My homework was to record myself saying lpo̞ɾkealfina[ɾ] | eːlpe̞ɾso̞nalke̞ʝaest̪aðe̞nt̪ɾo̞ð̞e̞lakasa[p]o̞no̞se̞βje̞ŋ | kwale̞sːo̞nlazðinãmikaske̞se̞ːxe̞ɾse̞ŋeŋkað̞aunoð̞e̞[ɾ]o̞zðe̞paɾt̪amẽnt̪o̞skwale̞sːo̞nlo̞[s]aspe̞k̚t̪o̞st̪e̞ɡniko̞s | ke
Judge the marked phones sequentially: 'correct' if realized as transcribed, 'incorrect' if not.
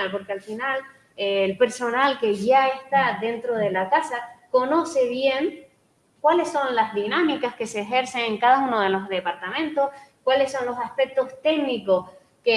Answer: incorrect: l, incorrect: k, incorrect: l, correct

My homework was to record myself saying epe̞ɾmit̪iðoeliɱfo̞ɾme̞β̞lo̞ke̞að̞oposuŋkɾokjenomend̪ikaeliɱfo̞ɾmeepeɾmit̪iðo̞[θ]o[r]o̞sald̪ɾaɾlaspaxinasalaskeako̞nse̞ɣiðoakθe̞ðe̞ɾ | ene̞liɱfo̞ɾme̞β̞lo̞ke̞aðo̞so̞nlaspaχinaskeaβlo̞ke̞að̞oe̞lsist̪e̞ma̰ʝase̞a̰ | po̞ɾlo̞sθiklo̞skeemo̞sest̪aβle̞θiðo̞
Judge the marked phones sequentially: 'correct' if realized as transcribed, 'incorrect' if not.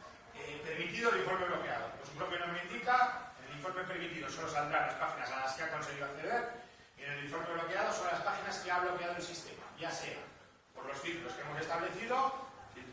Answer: incorrect: s, incorrect: l

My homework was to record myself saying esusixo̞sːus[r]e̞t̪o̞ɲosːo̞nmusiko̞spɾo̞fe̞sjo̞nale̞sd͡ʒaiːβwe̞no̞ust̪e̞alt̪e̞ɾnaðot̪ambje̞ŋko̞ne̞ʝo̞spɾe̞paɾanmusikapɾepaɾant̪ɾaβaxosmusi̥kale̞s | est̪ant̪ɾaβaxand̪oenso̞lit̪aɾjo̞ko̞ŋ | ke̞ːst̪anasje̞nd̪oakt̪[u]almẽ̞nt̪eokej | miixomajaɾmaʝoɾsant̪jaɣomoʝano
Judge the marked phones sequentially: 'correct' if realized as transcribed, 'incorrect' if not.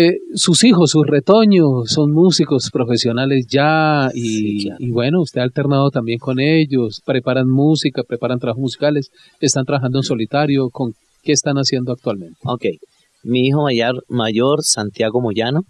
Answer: correct, incorrect: w

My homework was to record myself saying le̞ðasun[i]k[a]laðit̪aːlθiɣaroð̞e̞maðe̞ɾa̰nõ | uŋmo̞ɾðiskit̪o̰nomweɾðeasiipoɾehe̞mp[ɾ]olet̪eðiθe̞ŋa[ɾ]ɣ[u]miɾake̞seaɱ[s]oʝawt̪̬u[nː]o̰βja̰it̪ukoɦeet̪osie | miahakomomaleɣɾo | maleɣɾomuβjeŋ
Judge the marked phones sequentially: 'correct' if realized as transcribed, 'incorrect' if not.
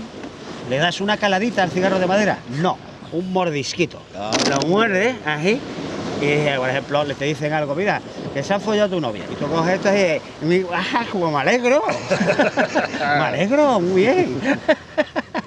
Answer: incorrect: a, correct, incorrect: l, incorrect: l, incorrect: o, incorrect: f, incorrect: n

